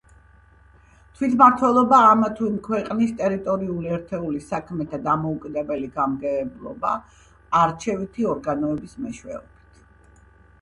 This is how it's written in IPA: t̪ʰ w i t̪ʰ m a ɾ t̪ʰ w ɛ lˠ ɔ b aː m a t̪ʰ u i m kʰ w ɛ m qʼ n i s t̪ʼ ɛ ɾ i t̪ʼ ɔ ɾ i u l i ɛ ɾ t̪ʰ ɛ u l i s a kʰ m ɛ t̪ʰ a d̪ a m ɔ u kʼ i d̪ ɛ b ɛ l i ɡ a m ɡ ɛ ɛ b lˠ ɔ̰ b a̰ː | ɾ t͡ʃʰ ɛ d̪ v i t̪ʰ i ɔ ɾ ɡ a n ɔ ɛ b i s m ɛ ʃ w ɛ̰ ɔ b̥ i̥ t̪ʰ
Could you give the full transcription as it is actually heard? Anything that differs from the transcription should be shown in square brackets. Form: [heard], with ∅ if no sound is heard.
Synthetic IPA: t̪ʰ w i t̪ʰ m a ɾ t̪ʰ w ɛ lˠ ɔ b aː m a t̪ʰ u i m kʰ w ɛ [∅] qʼ n i s t̪ʼ ɛ ɾ i t̪ʼ ɔ ɾ i u l i ɛ ɾ t̪ʰ ɛ u l i s a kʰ m ɛ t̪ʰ a d̪ a m ɔ u kʼ i d̪ ɛ b ɛ l i ɡ a m ɡ ɛ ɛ b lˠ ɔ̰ b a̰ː | ɾ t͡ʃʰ ɛ [∅] v i t̪ʰ i ɔ ɾ ɡ a n ɔ ɛ b i s m ɛ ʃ w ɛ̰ ɔ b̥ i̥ t̪ʰ